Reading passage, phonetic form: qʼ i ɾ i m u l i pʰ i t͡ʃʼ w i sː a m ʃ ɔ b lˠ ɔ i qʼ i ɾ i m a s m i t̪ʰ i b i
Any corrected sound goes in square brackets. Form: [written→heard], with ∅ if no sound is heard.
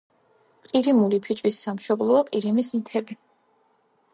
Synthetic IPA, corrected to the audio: qʼ i ɾ i m u l i pʰ i t͡ʃʼ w i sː a m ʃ ɔ b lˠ ɔ [i→a] qʼ i ɾ i m [a→i] s m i t̪ʰ [i→ɛ] b i

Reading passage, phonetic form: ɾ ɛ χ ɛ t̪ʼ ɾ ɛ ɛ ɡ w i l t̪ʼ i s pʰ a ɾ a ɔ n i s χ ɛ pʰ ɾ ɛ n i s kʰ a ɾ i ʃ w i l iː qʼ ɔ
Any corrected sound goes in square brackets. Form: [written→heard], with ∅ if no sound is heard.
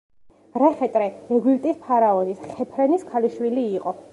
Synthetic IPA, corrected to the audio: ɾ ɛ χ ɛ t̪ʼ ɾ ɛ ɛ ɡ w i l t̪ʼ i s pʰ a ɾ a ɔ n i s χ ɛ pʰ ɾ ɛ n i s kʰ a [ɾ→l] i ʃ w i l iː qʼ ɔ

